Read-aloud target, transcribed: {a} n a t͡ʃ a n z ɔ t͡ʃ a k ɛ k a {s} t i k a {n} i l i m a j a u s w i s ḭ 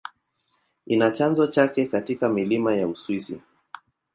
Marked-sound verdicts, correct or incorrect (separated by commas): incorrect, incorrect, incorrect